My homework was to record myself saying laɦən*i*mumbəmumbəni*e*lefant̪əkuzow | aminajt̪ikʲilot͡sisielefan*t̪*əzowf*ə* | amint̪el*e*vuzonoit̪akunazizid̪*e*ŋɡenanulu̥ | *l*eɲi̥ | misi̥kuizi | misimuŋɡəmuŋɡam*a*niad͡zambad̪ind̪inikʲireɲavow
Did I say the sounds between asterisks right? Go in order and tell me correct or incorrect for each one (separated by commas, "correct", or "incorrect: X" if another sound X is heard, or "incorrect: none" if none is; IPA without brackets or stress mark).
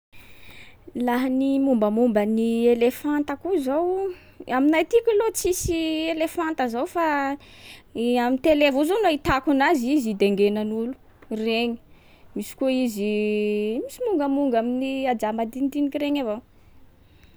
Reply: correct, correct, correct, incorrect: a, correct, correct, incorrect: r, incorrect: i